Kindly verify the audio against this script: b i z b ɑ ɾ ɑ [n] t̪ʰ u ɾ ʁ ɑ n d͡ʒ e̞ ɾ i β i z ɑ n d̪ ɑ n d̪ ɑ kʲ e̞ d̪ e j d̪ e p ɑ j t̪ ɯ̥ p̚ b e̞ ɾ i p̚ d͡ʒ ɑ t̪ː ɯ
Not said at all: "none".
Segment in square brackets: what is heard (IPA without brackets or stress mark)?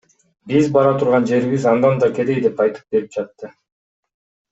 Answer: none